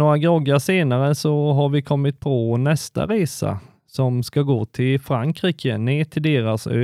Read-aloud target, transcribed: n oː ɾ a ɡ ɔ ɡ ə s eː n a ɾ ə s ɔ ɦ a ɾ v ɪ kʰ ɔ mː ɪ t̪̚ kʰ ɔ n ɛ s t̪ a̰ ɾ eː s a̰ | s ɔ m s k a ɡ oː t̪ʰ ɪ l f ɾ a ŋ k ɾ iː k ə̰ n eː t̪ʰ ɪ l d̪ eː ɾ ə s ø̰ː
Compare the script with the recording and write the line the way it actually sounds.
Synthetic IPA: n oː ɾ a ɡ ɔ ɡ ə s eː n a ɾ ə s ɔ ɦ a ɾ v ɪ kʰ ɔ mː ɪ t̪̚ pʰ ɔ n ɛ s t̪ a̰ ɾ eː s a̰ | s ɔ m s k a ɡ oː t̪ʰ ɪ l f ɾ a ŋ k ɾ iː k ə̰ n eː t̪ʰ ɪ l d̪ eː ɾ a s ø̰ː